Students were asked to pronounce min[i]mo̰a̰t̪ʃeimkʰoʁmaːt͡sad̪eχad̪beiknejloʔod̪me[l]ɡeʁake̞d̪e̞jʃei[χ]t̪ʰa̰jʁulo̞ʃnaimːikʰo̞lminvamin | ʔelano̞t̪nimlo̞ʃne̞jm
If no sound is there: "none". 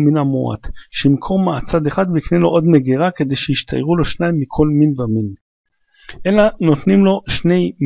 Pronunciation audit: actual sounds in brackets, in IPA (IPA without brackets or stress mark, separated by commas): a, none, ʃ